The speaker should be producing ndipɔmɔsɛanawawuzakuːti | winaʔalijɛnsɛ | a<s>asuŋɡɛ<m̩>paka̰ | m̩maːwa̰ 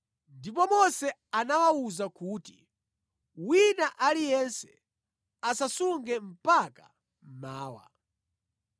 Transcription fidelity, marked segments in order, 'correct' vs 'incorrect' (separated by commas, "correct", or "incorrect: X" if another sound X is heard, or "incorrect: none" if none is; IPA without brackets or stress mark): correct, correct